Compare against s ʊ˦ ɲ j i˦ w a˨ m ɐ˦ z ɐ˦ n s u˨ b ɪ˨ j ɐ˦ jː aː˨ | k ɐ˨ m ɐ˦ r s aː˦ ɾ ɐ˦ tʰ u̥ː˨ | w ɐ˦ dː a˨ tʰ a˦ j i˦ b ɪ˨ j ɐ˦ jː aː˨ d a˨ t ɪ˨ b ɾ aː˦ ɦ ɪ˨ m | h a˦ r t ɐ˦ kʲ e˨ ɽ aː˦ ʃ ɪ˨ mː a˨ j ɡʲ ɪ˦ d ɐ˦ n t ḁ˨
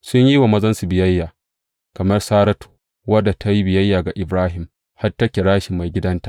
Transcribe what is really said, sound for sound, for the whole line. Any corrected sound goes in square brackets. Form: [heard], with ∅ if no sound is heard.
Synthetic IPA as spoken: s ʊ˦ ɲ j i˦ w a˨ m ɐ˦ z ɐ˦ n s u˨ b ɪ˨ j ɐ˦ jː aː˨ | k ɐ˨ m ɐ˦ r s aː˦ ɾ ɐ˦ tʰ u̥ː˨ | w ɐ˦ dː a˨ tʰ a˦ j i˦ b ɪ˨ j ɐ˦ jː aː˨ [ɡ] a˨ [ʔ] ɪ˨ b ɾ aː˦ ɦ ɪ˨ m | h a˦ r t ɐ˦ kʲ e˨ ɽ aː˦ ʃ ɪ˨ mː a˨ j ɡʲ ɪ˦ d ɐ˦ n t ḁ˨